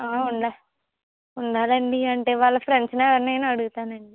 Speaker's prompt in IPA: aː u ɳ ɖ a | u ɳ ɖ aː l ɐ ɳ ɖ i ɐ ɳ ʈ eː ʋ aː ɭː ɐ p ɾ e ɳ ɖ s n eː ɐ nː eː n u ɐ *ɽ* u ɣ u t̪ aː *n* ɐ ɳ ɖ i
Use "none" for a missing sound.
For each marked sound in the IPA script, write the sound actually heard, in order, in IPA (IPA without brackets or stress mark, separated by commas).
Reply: ɽ, n